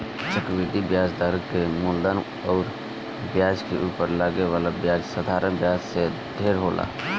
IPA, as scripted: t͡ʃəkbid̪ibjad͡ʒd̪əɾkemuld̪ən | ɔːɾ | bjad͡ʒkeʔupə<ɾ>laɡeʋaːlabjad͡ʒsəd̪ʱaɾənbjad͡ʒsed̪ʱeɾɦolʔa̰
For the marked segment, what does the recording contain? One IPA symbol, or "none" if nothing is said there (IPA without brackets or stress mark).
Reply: ɾ